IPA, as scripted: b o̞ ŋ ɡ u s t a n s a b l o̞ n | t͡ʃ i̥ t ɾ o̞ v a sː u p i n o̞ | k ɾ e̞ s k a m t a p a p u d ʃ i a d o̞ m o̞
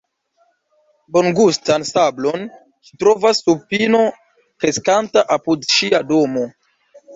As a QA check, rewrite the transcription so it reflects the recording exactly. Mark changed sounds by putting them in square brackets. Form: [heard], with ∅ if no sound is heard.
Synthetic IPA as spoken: b o̞ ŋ ɡ u s t a n s a b l o̞ n | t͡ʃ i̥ t ɾ o̞ v a sː u p i n o̞ | k ɾ e̞ s k a [n] t a [ʔ] a p u d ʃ i a d o̞ m o̞